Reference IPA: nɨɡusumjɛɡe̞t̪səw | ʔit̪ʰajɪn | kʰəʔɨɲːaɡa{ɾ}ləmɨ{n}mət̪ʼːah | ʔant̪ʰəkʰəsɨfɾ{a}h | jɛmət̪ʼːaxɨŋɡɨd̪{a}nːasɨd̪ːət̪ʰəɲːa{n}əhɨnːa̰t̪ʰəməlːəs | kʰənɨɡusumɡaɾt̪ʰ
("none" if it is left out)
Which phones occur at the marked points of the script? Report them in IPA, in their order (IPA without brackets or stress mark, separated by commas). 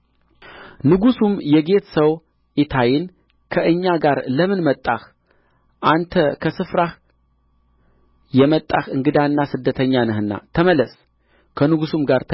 ɾ, n, a, a, n